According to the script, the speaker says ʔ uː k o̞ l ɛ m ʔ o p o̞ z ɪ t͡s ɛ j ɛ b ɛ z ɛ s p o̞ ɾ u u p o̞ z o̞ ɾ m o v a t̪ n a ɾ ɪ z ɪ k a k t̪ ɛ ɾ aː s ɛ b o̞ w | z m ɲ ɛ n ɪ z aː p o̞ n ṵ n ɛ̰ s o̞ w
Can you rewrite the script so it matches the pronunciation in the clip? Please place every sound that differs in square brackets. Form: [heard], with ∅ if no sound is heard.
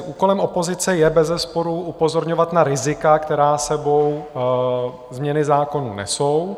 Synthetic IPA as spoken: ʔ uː k o̞ l ɛ m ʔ o p o̞ z ɪ t͡s ɛ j ɛ b ɛ z ɛ s p o̞ ɾ u u p o̞ z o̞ ɾ [ɲ] o v a t̪ n a ɾ ɪ z ɪ k a k t̪ ɛ ɾ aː s ɛ b o̞ w | z m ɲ ɛ n ɪ z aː [k] o̞ n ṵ n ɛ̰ s o̞ w